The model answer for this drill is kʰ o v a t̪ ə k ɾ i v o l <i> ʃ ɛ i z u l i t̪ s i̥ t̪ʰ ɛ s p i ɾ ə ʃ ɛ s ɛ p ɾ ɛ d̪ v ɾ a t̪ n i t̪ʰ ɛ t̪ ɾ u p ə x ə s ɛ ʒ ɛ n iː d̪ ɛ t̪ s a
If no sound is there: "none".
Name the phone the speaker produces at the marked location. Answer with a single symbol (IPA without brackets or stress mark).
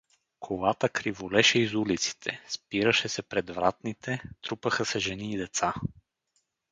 ɛ